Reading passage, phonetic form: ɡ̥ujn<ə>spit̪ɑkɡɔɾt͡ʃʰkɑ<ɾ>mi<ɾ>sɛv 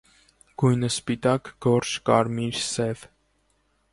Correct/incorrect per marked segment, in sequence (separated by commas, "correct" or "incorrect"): correct, correct, correct